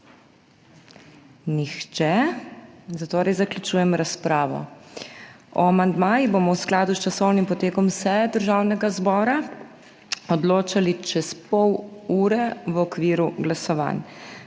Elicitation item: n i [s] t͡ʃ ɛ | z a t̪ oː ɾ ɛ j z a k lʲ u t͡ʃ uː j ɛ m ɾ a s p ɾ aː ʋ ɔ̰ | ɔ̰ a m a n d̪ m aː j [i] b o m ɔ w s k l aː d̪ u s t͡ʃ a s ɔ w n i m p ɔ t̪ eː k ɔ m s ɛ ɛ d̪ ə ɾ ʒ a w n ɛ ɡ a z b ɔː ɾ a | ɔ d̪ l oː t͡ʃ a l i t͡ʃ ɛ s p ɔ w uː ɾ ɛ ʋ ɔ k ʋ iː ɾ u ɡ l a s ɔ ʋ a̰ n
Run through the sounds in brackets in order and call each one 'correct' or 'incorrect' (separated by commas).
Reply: incorrect, correct